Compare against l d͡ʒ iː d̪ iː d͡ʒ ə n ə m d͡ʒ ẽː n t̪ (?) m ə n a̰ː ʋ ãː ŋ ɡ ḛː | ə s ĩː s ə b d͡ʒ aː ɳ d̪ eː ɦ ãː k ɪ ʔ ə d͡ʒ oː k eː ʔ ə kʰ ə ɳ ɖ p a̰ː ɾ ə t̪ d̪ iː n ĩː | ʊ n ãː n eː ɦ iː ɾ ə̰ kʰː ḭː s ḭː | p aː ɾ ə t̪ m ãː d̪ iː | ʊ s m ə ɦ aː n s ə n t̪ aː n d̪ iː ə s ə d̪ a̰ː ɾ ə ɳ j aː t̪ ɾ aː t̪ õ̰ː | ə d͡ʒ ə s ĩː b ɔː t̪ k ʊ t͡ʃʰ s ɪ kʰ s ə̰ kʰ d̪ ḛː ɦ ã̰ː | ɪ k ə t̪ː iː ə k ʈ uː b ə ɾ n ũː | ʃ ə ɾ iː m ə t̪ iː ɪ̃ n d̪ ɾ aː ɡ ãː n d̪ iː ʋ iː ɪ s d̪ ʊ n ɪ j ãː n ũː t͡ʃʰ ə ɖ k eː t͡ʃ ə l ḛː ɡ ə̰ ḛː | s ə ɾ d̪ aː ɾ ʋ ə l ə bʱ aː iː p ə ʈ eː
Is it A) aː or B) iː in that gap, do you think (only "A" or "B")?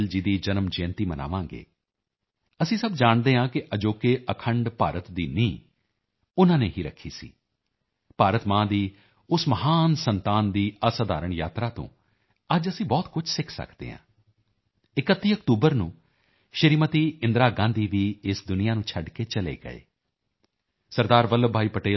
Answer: B